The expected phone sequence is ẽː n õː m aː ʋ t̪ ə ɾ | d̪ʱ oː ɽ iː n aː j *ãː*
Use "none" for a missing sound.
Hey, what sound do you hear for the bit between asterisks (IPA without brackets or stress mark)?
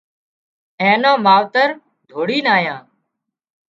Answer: ãː